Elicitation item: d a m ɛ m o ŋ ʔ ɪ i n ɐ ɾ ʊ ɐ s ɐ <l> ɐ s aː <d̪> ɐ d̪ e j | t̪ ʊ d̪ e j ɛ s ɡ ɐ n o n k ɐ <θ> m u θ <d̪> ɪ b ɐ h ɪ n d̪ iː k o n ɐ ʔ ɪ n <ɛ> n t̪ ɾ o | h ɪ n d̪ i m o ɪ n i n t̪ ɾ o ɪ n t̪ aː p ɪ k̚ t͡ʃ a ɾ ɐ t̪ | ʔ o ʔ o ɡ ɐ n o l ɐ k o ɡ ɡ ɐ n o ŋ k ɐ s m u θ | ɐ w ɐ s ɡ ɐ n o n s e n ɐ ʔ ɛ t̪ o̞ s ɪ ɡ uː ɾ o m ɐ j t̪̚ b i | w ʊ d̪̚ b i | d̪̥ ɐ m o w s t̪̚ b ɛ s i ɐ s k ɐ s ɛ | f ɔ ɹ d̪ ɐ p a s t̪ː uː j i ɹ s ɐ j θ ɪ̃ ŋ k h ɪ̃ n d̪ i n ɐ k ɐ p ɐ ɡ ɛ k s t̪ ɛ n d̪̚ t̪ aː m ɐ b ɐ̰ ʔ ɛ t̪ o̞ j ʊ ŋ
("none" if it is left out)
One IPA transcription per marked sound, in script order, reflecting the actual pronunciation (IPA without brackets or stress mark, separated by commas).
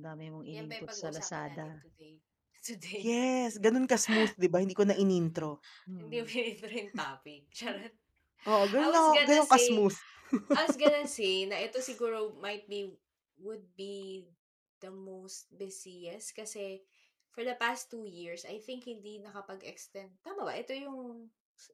l, d̪, s, d̪, i